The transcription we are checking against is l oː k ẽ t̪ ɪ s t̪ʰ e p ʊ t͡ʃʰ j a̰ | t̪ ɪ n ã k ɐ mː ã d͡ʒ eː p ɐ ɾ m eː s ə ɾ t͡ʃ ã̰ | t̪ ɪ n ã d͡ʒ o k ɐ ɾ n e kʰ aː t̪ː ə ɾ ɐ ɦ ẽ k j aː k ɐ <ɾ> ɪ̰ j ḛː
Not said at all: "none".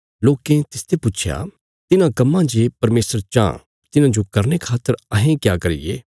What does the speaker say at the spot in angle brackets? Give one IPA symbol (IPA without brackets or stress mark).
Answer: ɾ